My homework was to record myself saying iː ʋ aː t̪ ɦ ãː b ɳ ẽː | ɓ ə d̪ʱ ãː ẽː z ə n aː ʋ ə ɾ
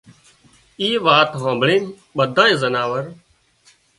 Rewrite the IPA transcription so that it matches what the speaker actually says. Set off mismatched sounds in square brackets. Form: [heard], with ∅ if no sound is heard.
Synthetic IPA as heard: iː ʋ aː t̪ ɦ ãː b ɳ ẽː | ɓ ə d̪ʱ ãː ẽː z ə n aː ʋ ə ɾ

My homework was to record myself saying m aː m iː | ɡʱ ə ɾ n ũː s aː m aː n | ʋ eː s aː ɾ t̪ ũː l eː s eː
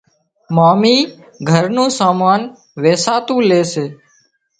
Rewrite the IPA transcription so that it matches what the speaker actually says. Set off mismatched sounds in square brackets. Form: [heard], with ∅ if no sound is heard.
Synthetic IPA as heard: m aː m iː | ɡʱ ə ɾ n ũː s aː m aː n | ʋ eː s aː [∅] t̪ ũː l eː s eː

